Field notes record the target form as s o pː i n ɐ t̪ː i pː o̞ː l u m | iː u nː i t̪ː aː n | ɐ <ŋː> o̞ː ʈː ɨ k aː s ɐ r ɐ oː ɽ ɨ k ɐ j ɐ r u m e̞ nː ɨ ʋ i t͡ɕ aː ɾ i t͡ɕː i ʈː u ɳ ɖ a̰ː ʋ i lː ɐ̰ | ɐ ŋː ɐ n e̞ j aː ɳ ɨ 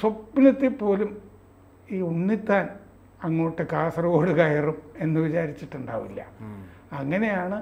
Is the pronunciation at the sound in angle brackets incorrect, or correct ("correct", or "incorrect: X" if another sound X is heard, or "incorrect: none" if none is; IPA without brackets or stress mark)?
correct